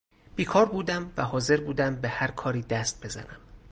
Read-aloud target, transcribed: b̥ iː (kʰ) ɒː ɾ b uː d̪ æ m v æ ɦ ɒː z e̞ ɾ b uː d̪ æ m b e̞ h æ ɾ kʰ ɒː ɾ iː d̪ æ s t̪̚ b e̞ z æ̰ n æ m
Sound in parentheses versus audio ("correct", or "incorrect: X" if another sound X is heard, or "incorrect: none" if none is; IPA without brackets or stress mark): correct